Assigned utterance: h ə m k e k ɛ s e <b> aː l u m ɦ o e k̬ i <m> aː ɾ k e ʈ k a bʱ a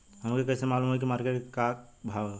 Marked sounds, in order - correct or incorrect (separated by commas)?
incorrect, correct